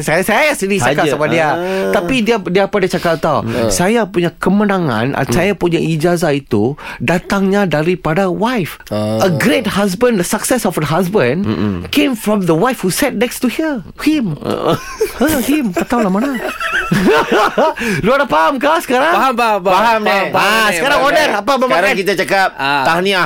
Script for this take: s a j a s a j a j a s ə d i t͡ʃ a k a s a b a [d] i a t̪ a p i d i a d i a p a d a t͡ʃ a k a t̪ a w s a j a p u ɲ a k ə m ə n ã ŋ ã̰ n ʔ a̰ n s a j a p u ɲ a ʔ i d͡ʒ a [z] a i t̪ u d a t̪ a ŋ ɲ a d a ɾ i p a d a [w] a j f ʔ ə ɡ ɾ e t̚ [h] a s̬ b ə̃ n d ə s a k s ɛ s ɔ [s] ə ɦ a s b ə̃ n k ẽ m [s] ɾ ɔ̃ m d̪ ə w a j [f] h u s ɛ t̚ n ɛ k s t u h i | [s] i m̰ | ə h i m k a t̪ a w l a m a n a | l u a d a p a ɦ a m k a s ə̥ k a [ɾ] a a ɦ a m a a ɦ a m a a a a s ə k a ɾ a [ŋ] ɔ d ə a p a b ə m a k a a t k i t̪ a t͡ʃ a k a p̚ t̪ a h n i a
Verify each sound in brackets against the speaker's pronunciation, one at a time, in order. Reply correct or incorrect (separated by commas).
correct, correct, correct, correct, incorrect, incorrect, correct, incorrect, correct, correct